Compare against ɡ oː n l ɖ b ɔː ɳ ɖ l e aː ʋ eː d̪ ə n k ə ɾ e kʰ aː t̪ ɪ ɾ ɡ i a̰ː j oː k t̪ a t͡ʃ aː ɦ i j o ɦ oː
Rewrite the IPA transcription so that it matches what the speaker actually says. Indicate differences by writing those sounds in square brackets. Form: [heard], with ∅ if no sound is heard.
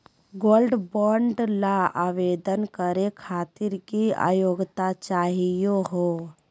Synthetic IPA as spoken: ɡ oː [∅] l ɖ b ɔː ɳ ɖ l [a] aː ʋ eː d̪ ə n k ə ɾ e kʰ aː t̪ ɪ ɾ [k] i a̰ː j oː [ɡ] t̪ a t͡ʃ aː ɦ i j o ɦ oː